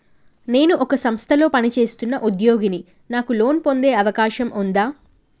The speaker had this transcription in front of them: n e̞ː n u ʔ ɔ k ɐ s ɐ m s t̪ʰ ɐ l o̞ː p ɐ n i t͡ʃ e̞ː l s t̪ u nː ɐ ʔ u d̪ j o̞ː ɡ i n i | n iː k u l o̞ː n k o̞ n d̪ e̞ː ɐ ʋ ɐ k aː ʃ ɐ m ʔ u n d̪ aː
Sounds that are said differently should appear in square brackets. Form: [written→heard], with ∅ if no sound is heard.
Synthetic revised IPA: n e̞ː n u ʔ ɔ k ɐ s ɐ m s t̪ʰ ɐ l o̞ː p ɐ n i t͡ʃ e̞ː [l→∅] s t̪ u nː ɐ ʔ u d̪ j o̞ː ɡ i n i | n [iː→aː] k u l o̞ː n [k→p] o̞ n d̪ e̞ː ɐ ʋ ɐ k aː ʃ ɐ m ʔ u n d̪ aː